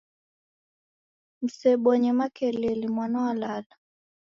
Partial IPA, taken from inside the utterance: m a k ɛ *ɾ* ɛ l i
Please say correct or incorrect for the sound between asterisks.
incorrect